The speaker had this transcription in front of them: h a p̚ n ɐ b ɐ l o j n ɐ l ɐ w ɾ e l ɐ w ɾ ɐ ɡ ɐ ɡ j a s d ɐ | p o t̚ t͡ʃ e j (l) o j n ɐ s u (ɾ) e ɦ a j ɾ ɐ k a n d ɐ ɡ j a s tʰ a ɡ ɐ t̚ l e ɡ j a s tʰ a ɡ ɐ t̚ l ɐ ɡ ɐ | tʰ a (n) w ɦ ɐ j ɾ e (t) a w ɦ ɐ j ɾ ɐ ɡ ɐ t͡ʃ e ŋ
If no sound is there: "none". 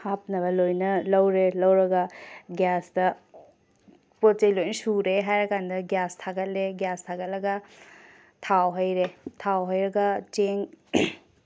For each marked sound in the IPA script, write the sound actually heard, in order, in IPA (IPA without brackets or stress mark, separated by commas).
l, ɾ, none, tʰ